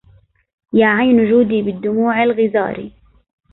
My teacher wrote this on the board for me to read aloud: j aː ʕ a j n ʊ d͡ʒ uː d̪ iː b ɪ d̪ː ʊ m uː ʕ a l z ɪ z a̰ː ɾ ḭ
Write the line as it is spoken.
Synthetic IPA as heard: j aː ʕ a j n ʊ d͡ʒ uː d̪ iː b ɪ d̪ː ʊ m uː ʕ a l ɣ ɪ z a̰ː ɾ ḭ

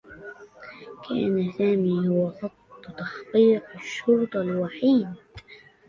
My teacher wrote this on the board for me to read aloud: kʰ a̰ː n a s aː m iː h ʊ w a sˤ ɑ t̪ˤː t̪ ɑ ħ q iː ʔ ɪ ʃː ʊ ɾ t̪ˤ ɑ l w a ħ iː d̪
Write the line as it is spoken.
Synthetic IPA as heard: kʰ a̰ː n a s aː m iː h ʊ w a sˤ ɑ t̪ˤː t̪ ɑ ħ q iː q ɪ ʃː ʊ ɾ t̪ˤ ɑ l w a ħ iː d̪

